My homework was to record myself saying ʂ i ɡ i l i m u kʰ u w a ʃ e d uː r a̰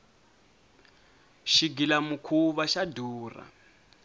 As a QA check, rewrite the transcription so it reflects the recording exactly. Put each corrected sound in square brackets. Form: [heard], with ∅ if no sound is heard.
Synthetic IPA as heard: [ʃ] i ɡ i l [a] m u kʰ u [β] a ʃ [a] d uː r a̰